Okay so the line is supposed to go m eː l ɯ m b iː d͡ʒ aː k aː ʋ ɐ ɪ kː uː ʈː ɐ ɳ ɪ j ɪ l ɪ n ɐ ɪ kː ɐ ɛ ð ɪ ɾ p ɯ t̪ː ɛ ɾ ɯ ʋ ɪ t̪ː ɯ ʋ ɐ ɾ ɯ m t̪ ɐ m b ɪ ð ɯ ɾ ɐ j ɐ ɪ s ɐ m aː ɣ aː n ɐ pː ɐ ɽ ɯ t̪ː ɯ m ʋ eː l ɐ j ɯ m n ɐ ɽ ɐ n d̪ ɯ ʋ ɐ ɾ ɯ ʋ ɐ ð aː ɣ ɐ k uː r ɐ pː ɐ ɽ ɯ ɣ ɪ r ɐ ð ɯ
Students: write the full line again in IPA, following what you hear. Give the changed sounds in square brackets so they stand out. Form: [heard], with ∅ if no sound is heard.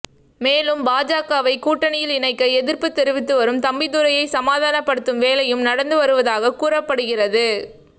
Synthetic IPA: m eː l ɯ m b [aː] d͡ʒ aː k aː ʋ ɐ ɪ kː uː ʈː ɐ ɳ ɪ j ɪ l ɪ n ɐ ɪ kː ɐ ɛ ð ɪ ɾ p ɯ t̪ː ɛ ɾ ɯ ʋ ɪ t̪ː ɯ ʋ ɐ ɾ ɯ m t̪ ɐ m b ɪ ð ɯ ɾ ɐ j ɐ ɪ s ɐ m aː [ð] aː n ɐ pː ɐ ɽ ɯ t̪ː ɯ m ʋ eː l ɐ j ɯ m n ɐ ɽ ɐ n d̪ ɯ ʋ ɐ ɾ ɯ ʋ ɐ ð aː ɣ ɐ k uː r ɐ pː ɐ ɽ ɯ ɣ ɪ r ɐ ð ɯ

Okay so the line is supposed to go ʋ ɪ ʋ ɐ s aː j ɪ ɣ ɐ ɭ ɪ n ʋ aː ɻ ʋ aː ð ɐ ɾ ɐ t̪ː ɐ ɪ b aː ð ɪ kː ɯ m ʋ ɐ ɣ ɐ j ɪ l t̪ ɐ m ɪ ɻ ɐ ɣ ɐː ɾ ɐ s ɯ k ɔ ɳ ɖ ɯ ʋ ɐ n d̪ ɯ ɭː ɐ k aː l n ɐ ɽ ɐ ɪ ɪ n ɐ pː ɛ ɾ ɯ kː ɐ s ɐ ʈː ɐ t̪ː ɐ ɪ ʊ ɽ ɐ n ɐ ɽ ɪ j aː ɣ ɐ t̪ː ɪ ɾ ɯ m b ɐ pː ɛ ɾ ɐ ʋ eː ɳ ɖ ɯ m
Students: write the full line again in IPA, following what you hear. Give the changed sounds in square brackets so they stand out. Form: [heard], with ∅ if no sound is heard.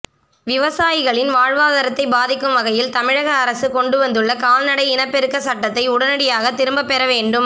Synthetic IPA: ʋ ɪ ʋ ɐ s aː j ɪ ɣ ɐ ɭ ɪ n ʋ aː ɻ ʋ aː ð ɐ ɾ ɐ t̪ː ɐ ɪ b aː ð ɪ kː ɯ m ʋ ɐ ɣ ɐ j ɪ l t̪ ɐ m ɪ ɻ ɐ ɣ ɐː ɾ ɐ s ɯ k ɔ ɳ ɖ ɯ ʋ ɐ n d̪ ɯ ɭː ɐ k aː l n ɐ ɽ ɐ ɪ ɪ n ɐ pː ɛ ɾ ɯ kː ɐ s ɐ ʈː ɐ t̪ː ɐ ɪ ʊ ɽ ɐ n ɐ ɽ ɪ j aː ɣ ɐ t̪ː ɪ ɾ ɯ m b ɐ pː ɛ ɾ ɐ ʋ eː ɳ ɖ ɯ m

